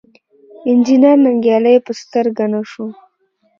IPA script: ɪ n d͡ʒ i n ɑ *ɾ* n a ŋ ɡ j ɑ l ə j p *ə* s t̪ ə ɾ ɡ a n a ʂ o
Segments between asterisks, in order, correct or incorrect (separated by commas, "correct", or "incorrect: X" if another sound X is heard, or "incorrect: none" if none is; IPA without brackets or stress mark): correct, correct